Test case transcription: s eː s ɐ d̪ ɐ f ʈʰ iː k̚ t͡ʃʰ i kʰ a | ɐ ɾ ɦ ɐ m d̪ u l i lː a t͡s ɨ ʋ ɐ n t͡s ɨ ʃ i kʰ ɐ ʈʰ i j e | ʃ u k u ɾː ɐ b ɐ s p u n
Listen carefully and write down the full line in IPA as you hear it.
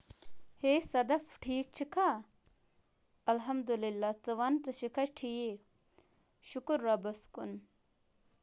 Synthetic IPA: h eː s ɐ d̪ ɐ f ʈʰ iː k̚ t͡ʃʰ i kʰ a | ɐ l ɦ ɐ m d̪ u l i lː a t͡s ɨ ʋ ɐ n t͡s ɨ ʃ i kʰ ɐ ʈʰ i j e | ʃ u k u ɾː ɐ b ɐ s k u n